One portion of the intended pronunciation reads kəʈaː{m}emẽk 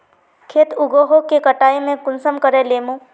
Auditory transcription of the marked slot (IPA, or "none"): none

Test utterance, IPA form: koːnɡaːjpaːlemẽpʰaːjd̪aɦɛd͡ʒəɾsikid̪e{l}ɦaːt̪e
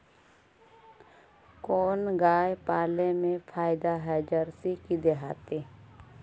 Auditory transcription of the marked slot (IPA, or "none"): none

